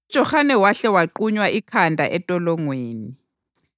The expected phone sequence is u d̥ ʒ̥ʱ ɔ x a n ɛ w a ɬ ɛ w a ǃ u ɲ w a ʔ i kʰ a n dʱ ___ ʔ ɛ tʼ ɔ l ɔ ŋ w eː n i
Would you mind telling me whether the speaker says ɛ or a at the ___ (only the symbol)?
a